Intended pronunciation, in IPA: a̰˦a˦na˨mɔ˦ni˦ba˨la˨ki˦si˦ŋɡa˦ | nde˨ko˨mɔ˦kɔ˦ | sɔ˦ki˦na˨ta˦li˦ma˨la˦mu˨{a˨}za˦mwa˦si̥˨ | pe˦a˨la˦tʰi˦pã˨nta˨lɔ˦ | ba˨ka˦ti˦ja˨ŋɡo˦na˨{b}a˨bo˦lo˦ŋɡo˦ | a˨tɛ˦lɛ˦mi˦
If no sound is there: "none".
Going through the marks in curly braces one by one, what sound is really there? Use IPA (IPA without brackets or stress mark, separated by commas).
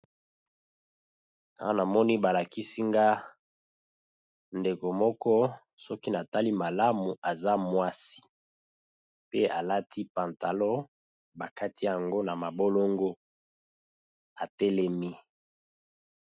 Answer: a˨, m